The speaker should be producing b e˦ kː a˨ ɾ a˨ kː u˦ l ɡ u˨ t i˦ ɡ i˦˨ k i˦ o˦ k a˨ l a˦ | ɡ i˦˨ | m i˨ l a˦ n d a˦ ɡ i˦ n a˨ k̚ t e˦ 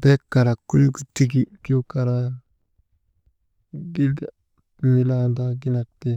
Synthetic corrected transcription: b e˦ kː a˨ ɾ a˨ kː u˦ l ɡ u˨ t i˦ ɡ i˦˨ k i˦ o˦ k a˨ ɾ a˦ | ɡ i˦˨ | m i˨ l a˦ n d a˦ ɡ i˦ n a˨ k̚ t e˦